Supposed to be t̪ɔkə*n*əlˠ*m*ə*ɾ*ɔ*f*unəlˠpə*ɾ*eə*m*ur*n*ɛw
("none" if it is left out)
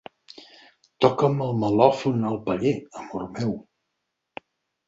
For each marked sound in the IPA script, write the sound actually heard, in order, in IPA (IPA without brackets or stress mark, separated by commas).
m, m, l, f, ʎ, m, m